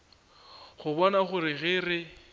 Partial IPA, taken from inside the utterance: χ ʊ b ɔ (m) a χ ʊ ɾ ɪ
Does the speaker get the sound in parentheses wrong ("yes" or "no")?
yes